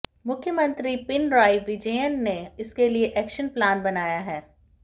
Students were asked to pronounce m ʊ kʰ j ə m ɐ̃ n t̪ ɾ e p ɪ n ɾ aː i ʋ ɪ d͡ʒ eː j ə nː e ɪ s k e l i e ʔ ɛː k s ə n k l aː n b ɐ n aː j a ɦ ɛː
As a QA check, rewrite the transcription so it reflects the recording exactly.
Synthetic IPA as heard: m ʊ kʰ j ə m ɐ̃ n t̪ ɾ i p ɪ n ɾ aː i ʋ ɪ d͡ʒ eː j ə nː e ɪ s k e l i e ʔ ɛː k ʃ ə n p l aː n b ɐ n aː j a ɦ ɛː